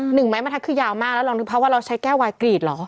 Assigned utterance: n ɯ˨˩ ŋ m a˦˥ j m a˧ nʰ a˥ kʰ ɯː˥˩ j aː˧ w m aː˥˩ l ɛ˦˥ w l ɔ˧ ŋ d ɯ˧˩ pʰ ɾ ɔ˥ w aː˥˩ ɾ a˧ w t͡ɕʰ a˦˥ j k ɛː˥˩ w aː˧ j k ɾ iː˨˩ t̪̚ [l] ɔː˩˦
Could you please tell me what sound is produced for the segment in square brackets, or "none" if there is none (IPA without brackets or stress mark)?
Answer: l